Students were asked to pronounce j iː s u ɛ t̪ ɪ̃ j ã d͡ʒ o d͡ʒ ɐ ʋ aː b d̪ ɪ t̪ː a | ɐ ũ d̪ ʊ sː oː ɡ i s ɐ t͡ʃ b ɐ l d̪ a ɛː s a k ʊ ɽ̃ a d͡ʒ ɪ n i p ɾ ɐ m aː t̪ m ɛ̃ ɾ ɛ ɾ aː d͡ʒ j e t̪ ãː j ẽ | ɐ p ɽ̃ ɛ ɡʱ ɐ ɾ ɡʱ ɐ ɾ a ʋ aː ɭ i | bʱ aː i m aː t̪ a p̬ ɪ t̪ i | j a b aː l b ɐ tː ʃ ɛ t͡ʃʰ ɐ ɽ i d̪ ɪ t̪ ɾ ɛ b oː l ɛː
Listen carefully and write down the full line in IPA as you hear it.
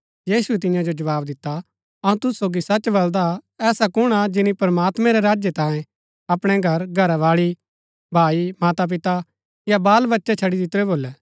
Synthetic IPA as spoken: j iː s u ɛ t̪ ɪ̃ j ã d͡ʒ o d͡ʒ ɐ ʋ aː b d̪ ɪ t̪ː a | ɐ ũ t̪ ʊ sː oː ɡ i s ɐ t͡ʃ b ɐ l d̪ a ɛː s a k ʊ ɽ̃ a d͡ʒ ɪ n i p ɾ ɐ m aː t̪ m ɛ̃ ɾ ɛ ɾ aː d͡ʒ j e t̪ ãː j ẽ | ɐ p ɽ̃ ɛ ɡʱ ɐ ɾ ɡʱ ɐ ɾ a ʋ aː ɭ i | bʱ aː i m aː t̪ a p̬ ɪ t̪ a | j a b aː l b ɐ tː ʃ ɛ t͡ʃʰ ɐ ɽ i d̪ ɪ t̪ ɾ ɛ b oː l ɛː

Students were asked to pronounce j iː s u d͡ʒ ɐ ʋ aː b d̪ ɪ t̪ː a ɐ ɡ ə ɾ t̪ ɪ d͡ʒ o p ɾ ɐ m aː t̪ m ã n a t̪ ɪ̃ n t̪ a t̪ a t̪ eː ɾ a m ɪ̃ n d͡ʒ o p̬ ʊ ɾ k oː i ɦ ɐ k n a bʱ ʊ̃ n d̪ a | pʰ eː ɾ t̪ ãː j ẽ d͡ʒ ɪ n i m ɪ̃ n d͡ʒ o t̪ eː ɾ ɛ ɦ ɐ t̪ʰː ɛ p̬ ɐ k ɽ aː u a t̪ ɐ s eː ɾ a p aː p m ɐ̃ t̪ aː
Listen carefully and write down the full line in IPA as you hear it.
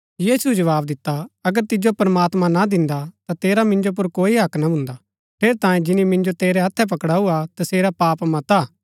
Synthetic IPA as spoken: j iː s u d͡ʒ ɐ ʋ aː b d̪ ɪ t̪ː a ɐ ɡ ə ɾ t̪ ɪ d͡ʒ o p ɾ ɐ m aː t̪ m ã n a d̪ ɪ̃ n d̪ a t̪ a t̪ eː ɾ a m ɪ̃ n d͡ʒ o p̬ ʊ ɾ k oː i ɦ ɐ k n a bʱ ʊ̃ n d̪ a | pʰ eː ɾ t̪ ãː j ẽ d͡ʒ ɪ n i m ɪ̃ n d͡ʒ o t̪ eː ɾ ɛ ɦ ɐ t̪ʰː ɛ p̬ ɐ k ɽ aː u a t̪ ɐ s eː ɾ a p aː p m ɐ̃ t̪ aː

